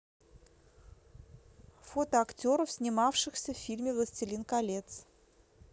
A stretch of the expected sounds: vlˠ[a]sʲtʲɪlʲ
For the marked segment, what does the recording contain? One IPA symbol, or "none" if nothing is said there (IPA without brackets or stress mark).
ə